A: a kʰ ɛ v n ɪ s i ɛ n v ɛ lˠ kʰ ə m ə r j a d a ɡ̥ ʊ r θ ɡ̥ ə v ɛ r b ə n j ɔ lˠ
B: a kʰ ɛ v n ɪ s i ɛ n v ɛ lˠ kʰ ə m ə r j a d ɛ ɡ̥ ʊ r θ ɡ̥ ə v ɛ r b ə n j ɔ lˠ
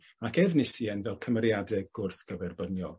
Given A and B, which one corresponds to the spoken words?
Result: B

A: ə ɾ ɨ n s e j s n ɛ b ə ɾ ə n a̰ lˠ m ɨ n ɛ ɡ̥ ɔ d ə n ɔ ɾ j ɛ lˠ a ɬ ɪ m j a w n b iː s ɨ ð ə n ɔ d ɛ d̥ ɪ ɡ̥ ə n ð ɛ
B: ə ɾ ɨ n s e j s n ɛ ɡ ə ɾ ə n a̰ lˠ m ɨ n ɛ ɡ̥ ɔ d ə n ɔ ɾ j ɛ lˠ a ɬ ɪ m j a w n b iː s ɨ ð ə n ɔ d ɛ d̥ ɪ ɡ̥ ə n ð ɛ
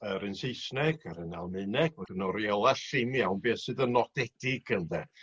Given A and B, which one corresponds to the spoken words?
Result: B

